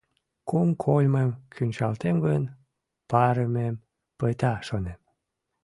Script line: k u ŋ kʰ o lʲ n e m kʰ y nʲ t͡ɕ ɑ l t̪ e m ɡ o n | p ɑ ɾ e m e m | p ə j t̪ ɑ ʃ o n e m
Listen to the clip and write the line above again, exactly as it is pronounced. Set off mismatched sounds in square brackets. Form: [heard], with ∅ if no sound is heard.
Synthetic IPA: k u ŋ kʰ o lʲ [m] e m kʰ y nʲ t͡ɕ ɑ l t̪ e m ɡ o n | p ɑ ɾ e m e m | p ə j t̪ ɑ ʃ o n e m